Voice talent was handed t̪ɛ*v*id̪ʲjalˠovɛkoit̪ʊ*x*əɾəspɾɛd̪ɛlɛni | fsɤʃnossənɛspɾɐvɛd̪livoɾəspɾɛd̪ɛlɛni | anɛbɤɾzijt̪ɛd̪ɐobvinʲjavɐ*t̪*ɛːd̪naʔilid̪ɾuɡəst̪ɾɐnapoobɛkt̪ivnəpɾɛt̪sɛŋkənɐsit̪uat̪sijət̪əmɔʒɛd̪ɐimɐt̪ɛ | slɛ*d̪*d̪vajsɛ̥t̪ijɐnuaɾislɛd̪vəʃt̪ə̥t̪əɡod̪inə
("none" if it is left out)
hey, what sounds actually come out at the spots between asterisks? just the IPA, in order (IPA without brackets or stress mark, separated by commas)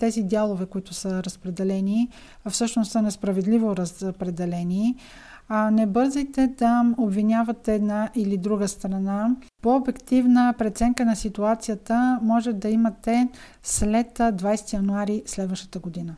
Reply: z, s, t̪, t̪